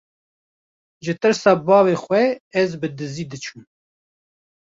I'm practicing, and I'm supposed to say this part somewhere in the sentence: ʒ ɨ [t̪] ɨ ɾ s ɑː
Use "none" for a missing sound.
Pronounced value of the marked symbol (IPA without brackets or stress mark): t̪